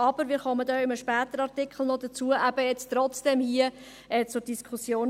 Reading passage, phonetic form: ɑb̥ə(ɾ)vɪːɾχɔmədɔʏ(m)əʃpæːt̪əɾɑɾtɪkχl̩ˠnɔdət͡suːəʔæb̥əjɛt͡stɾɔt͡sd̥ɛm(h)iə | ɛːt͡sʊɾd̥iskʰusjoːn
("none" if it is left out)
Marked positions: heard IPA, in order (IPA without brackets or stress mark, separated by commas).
ɾ, m, h